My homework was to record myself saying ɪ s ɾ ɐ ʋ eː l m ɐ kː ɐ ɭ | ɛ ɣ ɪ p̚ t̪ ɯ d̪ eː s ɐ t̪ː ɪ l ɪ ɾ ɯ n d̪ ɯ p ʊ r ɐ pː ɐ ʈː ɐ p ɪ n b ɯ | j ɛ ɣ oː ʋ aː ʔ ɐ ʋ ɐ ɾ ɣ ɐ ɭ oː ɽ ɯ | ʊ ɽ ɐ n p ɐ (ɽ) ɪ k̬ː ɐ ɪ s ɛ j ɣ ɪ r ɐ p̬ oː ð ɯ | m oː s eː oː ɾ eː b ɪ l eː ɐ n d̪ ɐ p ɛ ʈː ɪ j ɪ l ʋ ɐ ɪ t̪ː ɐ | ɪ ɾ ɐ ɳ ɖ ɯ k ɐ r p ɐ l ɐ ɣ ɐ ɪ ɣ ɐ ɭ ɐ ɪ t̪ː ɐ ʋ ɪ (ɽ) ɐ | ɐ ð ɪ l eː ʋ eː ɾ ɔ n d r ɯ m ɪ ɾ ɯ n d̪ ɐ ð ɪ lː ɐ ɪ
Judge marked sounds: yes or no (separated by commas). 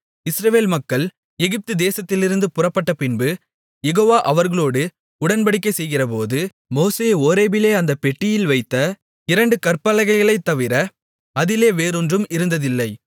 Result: yes, no